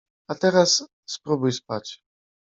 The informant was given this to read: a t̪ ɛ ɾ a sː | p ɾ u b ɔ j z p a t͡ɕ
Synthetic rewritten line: a t̪ ɛ ɾ a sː | p ɾ u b u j s p a t͡ɕ